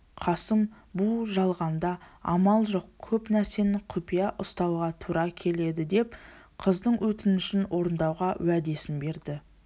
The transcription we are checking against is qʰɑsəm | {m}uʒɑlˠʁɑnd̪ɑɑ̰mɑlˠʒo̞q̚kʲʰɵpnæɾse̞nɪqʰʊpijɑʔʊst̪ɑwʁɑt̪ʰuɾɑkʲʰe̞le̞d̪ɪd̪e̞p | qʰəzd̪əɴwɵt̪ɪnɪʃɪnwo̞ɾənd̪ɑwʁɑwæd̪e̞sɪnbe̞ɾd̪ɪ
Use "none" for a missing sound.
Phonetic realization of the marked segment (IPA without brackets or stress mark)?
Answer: b